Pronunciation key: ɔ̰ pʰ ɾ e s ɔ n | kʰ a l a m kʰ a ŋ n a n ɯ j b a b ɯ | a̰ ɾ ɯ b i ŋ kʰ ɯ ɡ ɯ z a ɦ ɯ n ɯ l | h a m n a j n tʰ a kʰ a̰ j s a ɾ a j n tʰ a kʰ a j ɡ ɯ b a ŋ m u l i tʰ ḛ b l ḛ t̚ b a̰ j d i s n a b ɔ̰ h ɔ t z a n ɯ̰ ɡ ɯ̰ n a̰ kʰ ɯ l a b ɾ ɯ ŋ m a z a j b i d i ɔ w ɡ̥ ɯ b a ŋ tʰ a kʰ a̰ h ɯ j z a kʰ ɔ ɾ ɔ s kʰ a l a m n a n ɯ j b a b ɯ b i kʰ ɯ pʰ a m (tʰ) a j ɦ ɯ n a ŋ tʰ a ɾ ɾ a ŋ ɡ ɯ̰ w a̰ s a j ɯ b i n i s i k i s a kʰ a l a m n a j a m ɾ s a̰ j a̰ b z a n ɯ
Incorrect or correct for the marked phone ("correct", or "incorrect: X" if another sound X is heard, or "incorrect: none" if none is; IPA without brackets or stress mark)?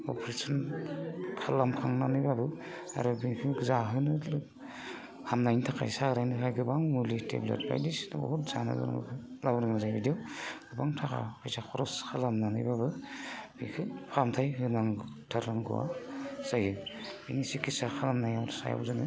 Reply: correct